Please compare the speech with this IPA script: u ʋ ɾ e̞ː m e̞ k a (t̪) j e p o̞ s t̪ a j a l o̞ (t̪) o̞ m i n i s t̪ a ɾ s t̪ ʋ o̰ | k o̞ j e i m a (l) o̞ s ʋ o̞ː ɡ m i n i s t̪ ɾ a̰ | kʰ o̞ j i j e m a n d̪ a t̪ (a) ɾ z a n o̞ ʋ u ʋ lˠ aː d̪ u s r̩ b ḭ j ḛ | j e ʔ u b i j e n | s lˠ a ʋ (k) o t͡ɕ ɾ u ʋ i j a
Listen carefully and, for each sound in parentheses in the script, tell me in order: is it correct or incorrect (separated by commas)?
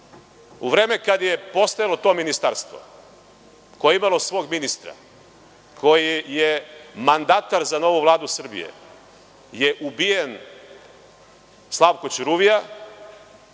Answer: incorrect, correct, correct, correct, correct